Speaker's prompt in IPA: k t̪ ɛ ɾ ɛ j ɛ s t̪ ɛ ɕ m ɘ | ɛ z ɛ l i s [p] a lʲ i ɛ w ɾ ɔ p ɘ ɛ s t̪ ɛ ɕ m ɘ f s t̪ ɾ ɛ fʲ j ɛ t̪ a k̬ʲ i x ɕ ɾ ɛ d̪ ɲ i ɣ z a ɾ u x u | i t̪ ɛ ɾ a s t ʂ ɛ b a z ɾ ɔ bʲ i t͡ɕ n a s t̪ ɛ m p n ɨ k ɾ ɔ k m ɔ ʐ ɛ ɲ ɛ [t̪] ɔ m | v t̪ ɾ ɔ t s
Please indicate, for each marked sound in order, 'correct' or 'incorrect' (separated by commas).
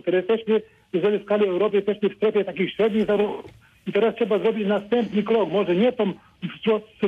incorrect, correct